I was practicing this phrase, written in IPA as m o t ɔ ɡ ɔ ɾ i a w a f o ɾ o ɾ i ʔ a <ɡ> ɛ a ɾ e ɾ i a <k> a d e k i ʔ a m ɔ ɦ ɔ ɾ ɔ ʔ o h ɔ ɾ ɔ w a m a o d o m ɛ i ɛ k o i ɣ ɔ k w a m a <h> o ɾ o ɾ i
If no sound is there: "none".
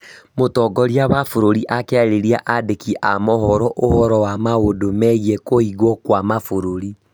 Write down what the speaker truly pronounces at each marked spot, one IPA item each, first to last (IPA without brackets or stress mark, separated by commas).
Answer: k, ʔ, f